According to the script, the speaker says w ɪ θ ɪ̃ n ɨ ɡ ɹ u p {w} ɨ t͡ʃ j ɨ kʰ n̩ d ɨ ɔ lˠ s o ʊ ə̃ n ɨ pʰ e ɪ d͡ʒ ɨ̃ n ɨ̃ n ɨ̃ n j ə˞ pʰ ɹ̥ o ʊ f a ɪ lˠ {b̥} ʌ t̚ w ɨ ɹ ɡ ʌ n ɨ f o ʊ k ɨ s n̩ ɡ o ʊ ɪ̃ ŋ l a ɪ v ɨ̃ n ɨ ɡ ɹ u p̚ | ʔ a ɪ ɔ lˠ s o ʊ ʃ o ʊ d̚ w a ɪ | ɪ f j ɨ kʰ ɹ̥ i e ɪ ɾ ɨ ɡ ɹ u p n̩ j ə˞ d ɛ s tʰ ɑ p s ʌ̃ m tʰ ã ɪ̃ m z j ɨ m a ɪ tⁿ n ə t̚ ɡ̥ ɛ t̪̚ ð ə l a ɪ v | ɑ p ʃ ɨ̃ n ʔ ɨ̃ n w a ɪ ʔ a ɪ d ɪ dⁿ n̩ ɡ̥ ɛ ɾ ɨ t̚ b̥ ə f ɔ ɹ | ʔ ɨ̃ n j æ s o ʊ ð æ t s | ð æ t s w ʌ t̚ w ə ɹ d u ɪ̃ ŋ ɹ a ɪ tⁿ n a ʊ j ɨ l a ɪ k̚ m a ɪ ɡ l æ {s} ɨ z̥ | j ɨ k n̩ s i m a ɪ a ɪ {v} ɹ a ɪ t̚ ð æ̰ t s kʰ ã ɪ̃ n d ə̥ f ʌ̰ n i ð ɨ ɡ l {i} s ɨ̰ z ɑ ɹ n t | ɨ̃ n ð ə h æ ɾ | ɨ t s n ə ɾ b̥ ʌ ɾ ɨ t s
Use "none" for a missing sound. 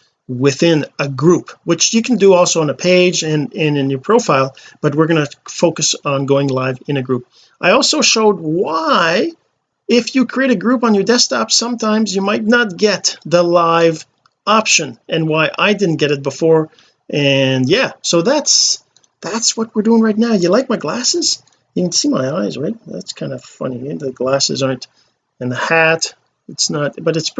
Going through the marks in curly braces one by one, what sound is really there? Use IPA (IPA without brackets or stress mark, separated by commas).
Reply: w, b̥, s, z, æ